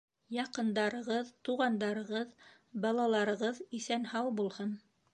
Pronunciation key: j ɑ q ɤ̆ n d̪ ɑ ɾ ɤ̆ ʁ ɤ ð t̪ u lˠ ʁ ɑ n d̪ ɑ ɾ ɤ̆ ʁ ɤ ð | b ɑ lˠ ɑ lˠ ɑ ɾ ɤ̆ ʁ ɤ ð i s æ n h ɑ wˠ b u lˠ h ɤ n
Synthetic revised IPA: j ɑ q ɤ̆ n d̪ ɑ ɾ ɤ̆ ʁ ɤ ð t̪ u ʁ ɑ n d̪ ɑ ɾ ɤ̆ ʁ ɤ ð | b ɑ lˠ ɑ lˠ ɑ ɾ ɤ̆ ʁ ɤ ð i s æ n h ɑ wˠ b u lˠ h ɤ n